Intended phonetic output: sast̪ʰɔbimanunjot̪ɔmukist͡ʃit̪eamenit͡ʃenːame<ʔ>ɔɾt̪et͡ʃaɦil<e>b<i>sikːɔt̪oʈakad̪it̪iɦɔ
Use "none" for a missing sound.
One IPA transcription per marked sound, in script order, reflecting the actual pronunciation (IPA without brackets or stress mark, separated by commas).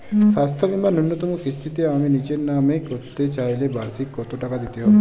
k, e, a